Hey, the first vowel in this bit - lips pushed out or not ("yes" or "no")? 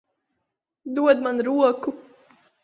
yes